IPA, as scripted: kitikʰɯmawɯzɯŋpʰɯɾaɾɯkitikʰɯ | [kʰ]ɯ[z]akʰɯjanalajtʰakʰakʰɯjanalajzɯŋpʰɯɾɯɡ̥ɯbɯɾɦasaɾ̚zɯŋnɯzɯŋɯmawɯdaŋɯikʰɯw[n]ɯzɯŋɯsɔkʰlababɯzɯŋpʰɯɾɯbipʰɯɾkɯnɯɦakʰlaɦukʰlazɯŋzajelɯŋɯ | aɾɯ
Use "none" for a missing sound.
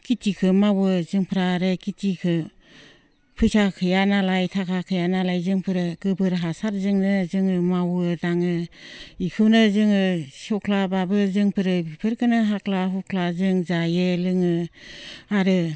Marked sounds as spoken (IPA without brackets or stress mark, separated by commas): pʰ, s, n